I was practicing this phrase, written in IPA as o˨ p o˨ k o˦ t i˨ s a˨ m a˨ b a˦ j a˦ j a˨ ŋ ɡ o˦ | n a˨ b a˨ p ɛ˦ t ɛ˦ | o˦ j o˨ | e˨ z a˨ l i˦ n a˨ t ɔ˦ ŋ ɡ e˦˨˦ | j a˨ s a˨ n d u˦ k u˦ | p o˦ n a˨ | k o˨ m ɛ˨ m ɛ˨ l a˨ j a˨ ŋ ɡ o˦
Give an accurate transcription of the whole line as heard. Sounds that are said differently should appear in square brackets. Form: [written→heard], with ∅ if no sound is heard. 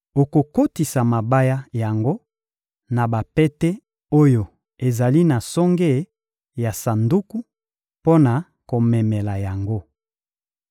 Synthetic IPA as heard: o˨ [p→k] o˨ k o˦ t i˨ s a˨ m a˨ b a˦ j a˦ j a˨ ŋ ɡ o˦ | n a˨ b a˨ p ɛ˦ t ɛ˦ | o˦ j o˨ | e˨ z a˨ l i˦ n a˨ [t→s] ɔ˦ ŋ ɡ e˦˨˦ | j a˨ s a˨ n d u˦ k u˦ | p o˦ n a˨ | k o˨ m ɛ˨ m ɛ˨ l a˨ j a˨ ŋ ɡ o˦